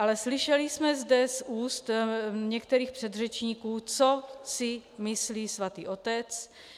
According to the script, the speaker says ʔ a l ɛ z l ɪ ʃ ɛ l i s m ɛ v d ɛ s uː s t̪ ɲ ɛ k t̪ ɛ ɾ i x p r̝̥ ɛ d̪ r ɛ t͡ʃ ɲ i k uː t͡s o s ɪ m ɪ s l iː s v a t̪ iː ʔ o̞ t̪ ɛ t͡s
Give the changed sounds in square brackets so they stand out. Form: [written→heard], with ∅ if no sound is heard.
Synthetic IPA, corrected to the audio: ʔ a l ɛ [z→s] l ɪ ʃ ɛ l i s m ɛ [v→z] d ɛ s uː s t̪ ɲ ɛ k t̪ ɛ ɾ [i→iː] x p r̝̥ ɛ d̪ r ɛ t͡ʃ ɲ i k uː t͡s o s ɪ m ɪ s l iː s v a t̪ iː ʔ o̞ t̪ ɛ t͡s